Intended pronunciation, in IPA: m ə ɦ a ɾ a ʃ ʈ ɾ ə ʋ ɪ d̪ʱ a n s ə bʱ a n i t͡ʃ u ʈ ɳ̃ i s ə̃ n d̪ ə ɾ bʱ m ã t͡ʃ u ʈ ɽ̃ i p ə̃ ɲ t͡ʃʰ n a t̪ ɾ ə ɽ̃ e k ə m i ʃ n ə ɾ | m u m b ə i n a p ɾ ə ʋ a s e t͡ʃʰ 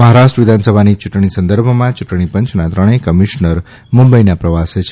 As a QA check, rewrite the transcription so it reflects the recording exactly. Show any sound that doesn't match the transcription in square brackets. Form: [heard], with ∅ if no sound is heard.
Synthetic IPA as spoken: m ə ɦ a ɾ a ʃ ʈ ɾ ə ʋ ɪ d̪ʱ a n s ə bʱ a n i t͡ʃ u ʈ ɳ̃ i s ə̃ n d̪ ə ɾ bʱ m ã t͡ʃ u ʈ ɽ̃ i p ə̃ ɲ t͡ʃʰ n a t̪ ɾ ə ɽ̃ e k ə m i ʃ n ə ɾ | m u m b ə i n a p ɾ ə ʋ a s e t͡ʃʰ